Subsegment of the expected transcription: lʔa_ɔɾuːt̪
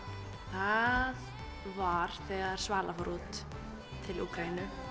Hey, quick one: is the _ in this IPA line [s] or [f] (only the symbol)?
f